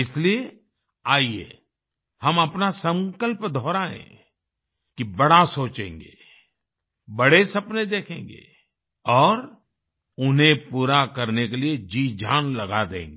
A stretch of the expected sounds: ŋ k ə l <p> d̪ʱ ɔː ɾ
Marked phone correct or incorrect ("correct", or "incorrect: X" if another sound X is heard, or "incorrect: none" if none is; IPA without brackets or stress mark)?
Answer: correct